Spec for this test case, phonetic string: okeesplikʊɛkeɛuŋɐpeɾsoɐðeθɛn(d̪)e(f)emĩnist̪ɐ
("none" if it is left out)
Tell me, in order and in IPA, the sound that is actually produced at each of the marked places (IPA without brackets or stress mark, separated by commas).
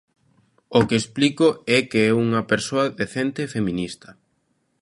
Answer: t̪, f